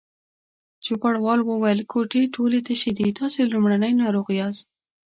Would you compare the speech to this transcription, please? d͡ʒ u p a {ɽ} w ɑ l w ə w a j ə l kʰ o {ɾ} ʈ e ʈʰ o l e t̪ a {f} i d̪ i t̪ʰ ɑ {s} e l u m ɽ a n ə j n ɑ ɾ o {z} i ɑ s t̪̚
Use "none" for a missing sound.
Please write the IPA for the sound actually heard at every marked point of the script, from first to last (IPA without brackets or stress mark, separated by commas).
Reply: ɽ, none, ʃ, s, ɣ